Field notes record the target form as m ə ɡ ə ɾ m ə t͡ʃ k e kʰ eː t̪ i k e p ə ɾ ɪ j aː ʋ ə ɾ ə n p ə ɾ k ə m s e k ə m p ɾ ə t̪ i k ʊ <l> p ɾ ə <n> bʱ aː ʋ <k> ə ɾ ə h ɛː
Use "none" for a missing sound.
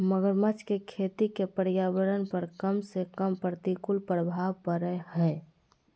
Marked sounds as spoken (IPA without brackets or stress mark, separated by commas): l, none, p